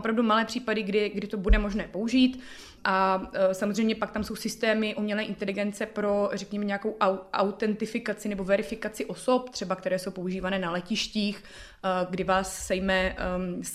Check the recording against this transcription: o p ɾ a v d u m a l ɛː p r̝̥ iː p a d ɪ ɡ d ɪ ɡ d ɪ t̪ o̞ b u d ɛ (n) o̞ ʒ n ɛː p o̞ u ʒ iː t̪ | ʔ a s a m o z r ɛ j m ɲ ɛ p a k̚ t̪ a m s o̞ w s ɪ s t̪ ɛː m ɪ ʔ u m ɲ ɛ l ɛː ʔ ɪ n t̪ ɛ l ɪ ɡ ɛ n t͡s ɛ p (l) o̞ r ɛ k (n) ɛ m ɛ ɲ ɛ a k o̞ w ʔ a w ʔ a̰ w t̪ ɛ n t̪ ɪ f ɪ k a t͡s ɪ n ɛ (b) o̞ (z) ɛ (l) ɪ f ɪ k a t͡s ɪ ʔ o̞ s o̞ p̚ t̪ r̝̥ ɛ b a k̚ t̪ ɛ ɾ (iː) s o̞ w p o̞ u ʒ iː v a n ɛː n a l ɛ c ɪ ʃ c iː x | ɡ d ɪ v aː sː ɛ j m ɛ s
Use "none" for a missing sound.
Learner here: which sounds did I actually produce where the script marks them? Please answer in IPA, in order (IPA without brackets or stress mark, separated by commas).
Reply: m, ɾ, ɲ, b, v, ɾ, ɛː